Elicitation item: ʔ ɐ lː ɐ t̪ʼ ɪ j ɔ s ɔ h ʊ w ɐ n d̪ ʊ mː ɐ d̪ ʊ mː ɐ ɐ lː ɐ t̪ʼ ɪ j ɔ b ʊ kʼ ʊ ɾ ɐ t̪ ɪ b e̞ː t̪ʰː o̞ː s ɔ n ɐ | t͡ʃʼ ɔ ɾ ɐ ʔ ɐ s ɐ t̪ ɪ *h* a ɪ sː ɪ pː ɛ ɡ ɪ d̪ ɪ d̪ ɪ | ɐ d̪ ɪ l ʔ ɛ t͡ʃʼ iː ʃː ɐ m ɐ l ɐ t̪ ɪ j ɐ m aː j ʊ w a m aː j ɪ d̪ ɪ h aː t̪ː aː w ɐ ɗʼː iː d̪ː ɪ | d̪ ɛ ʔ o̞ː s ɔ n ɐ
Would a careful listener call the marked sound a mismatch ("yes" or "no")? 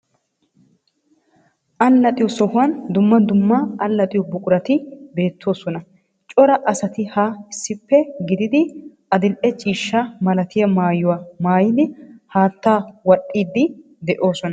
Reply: no